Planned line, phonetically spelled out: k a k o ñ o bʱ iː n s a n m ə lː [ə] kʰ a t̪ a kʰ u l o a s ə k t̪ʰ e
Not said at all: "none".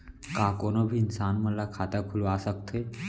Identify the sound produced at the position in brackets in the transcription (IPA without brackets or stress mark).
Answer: a